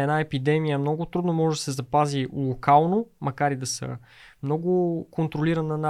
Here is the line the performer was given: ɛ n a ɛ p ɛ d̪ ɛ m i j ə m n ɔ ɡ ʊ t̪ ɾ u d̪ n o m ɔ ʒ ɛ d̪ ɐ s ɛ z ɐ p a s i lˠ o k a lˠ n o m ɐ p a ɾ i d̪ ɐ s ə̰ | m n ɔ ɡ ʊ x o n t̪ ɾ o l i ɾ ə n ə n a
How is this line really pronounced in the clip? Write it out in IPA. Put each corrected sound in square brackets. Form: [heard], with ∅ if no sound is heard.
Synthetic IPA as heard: ɛ n a ɛ p [i] d̪ ɛ m i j ə m n ɔ ɡ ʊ t̪ ɾ u d̪ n o m ɔ ʒ ɛ d̪ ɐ s ɛ z ɐ p a [z] i lˠ o k a lˠ n o m ɐ [k] a ɾ i d̪ ɐ s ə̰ | m n ɔ ɡ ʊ [k] o n t̪ ɾ o l i ɾ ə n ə n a